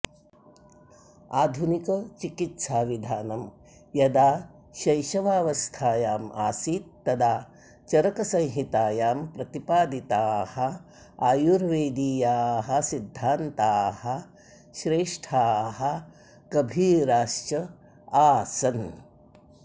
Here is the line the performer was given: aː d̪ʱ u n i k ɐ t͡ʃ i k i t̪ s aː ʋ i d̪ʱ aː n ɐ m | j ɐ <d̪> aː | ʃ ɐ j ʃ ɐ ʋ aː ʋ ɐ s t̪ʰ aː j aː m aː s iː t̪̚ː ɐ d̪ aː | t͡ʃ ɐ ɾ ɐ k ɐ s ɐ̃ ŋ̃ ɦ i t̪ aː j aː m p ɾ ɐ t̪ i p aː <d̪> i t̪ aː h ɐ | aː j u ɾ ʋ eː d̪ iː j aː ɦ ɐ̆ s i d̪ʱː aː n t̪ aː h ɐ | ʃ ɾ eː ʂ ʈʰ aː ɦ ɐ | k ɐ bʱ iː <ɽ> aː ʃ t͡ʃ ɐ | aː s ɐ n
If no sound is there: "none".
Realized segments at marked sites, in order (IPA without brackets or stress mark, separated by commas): d̪, d̪, ɾ